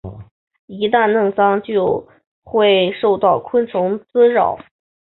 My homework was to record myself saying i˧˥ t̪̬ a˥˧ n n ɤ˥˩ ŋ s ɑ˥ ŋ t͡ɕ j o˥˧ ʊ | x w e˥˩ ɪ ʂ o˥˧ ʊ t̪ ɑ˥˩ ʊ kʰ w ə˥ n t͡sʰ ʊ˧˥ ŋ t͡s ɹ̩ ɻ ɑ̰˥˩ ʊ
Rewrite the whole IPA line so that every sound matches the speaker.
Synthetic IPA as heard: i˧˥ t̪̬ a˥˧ n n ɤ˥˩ ŋ s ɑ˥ ŋ t͡ɕ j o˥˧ ʊ | x w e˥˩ ɪ ʂ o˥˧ ʊ t̪ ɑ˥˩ ʊ kʰ w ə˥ n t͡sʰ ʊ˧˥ ŋ t͡s ɹ̩ ɻ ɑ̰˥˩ ʊ